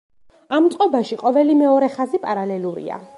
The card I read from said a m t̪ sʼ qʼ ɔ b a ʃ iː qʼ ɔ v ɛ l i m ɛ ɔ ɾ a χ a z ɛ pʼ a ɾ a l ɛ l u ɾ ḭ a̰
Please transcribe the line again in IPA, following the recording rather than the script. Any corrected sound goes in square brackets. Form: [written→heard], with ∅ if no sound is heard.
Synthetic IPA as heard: a m t̪ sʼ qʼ ɔ b a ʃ [iː→i] qʼ ɔ v ɛ l i m ɛ ɔ ɾ [a→ɛ] χ a z [ɛ→i] pʼ a ɾ a l ɛ l u ɾ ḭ a̰